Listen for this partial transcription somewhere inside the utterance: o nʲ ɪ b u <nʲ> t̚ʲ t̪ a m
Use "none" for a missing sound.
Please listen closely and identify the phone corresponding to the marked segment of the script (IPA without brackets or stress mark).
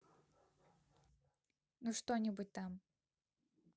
none